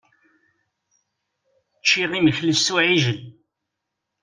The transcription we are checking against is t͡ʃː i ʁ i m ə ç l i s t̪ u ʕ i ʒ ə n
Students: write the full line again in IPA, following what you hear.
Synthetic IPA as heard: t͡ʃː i ʁ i m ə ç l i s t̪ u ʕ i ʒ ə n